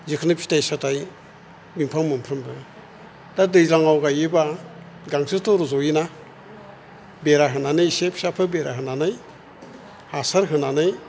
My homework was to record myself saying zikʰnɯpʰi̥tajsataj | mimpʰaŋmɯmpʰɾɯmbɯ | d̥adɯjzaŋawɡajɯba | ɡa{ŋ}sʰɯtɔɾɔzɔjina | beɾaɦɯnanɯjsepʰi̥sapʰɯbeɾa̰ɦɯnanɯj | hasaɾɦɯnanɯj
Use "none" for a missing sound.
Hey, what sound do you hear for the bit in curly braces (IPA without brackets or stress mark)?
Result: ŋ